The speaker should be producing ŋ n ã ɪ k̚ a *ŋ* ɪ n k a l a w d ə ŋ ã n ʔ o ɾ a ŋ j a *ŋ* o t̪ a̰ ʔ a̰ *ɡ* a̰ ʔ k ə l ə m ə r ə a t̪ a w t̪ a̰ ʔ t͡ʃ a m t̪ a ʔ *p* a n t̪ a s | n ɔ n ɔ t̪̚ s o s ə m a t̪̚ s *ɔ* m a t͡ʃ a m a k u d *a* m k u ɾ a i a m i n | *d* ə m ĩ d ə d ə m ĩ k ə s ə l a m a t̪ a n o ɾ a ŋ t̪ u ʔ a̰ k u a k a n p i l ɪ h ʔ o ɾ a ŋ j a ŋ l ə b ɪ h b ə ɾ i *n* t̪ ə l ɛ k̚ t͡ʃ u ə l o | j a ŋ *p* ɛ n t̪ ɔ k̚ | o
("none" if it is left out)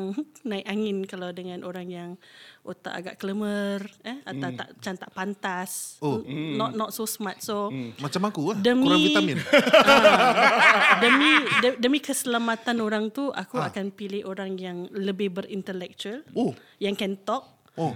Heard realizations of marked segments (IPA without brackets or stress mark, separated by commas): ŋ, ŋ, ɡ, p, o, ə, d, n, k